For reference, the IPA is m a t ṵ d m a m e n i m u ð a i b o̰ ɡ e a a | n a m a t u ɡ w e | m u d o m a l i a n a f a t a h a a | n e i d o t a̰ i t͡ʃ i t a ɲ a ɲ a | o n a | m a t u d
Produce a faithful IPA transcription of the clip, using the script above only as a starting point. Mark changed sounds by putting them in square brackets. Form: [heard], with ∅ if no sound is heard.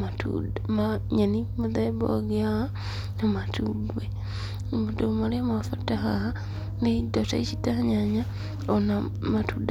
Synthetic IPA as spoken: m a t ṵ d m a [ɲ] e n i m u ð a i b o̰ ɡ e a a | n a m a t u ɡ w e | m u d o m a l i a [m] a f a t a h a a | n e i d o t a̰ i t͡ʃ i t a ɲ a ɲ a | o n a | m a t u d